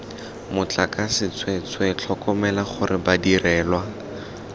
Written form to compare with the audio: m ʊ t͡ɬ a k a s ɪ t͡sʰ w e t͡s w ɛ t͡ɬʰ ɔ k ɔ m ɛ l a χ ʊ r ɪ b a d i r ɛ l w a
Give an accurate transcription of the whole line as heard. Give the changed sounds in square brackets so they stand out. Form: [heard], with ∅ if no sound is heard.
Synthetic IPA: m ʊ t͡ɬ a k a s ɪ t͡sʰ w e t͡s w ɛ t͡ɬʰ ɔ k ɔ m ɛ l a χ ʊ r ɪ b a d i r [ɛː] l w a